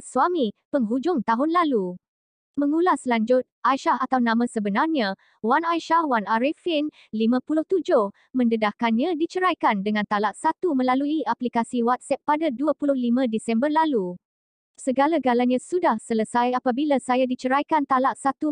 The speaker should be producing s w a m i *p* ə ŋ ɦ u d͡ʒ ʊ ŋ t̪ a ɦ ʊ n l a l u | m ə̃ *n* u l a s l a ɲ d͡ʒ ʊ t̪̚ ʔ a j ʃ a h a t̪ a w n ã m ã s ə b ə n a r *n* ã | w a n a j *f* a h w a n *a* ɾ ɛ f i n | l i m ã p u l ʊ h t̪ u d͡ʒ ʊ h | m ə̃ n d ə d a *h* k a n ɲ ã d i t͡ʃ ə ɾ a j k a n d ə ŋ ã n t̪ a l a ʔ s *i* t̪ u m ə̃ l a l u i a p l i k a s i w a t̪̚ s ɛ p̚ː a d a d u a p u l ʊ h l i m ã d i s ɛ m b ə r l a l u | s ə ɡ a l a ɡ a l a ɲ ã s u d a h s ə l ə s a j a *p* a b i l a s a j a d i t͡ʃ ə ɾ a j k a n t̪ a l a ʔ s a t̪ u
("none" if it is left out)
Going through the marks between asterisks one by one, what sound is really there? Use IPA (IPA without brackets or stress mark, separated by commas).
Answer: p, ŋ, ɲ, ʃ, a, h, a, p